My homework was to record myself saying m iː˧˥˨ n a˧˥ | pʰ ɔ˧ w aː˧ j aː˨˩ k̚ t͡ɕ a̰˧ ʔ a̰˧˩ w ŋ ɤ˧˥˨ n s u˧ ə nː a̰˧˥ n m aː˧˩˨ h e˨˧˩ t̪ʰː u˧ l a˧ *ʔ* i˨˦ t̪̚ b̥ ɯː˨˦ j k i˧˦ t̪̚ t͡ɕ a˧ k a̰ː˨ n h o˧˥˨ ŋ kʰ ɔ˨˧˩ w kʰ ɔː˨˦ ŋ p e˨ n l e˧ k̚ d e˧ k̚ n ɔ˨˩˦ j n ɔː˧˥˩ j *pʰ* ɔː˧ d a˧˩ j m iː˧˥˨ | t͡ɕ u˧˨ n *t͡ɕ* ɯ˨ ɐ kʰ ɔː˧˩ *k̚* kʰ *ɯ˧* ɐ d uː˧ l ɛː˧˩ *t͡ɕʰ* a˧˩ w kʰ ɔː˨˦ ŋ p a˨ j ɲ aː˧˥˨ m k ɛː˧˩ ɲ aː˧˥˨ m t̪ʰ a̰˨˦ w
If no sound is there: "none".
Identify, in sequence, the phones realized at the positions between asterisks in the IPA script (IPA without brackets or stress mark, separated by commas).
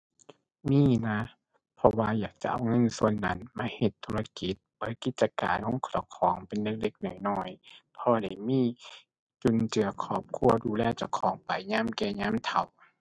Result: k, pʰ, t͡ɕ, p̚, u˧, t͡ɕ